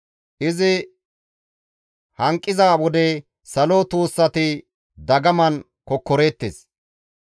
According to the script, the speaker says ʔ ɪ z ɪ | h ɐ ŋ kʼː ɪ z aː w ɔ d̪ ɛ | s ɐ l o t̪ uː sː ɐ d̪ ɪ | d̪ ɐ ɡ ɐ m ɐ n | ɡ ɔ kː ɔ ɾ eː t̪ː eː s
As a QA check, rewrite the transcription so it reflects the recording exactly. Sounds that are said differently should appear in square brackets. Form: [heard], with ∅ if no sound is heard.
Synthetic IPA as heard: ʔ ɪ z ɪ | h ɐ ŋ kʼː ɪ z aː w ɔ d̪ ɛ | s ɐ l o t̪ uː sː ɐ [t̪] ɪ | d̪ ɐ ɡ ɐ m ɐ n | [k] ɔ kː ɔ ɾ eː t̪ː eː s